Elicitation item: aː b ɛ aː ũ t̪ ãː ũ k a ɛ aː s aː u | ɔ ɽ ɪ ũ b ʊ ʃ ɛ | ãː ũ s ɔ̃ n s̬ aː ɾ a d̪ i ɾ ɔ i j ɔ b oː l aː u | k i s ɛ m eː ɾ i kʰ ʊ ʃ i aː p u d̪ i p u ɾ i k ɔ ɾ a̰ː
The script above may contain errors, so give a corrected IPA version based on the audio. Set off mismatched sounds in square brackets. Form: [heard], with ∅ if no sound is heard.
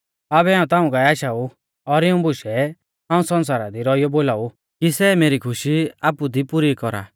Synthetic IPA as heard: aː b ɛ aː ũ t̪ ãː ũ k a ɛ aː [ʃ] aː u | ɔ [ɾ] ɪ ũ b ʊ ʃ ɛ | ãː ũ s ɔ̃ n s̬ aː ɾ a d̪ i ɾ ɔ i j ɔ b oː l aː u | k i s ɛ m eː ɾ i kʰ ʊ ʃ i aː p u d̪ i p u ɾ i k ɔ ɾ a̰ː